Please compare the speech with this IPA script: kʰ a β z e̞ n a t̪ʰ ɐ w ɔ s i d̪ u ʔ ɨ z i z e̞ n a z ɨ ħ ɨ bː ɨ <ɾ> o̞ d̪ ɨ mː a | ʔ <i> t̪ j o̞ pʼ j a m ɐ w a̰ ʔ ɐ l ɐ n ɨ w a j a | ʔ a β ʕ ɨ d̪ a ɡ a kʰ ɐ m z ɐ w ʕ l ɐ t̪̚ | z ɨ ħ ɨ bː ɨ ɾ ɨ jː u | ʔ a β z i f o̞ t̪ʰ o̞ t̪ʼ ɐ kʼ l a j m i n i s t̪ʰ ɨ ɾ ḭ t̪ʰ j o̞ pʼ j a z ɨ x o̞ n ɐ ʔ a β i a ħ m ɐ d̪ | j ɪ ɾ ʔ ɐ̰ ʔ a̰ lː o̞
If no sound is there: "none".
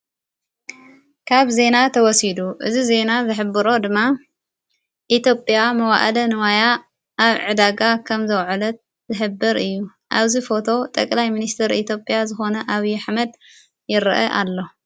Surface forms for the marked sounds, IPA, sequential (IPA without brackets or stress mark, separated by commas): ɾ, i